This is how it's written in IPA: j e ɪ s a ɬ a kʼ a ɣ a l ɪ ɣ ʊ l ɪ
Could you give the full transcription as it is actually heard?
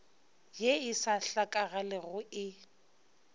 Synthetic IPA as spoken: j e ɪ s a ɬ a kʼ a ɣ a l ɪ ɣ ʊ ɪ